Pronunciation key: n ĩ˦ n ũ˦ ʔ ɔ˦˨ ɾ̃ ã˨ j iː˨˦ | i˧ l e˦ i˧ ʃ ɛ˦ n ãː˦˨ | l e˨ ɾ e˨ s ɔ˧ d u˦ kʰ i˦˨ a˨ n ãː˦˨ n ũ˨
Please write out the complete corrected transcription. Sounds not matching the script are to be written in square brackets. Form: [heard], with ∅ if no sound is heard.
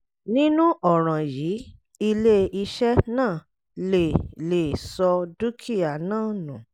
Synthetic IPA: n ĩ˦ n ũ˦ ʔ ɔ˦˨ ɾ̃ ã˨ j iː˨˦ | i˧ l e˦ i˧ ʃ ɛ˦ n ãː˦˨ | l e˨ [l] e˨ s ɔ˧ d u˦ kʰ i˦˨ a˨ n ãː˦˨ n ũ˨